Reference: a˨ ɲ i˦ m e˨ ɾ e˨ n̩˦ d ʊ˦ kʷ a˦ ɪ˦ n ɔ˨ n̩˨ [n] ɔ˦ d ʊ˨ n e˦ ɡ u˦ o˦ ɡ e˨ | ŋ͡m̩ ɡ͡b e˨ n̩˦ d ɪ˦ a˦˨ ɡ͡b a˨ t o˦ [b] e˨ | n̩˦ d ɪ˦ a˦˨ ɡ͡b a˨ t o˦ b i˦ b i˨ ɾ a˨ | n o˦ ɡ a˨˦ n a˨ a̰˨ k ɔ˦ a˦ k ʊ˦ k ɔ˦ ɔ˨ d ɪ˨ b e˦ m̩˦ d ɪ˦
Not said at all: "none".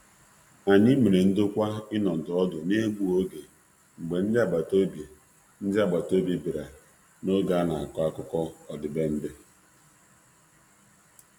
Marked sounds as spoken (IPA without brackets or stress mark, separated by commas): d, b